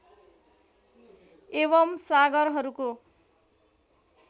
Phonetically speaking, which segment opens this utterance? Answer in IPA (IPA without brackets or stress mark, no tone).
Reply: e